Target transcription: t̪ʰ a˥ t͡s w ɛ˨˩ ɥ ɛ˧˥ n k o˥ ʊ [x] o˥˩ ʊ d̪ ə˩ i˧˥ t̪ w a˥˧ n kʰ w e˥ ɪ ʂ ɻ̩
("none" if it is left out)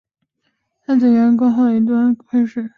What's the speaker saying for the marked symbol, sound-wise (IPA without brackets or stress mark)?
x